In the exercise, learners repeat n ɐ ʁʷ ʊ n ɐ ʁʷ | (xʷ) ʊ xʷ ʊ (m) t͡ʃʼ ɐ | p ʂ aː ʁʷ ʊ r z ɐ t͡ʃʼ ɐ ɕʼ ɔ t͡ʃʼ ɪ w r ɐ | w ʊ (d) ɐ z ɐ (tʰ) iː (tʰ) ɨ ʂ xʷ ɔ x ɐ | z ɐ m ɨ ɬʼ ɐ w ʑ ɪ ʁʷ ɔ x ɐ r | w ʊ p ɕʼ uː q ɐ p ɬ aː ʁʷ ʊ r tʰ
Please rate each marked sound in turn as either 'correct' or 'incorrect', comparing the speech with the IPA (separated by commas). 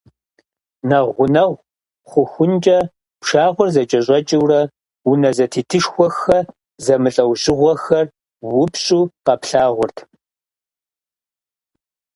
incorrect, incorrect, incorrect, correct, correct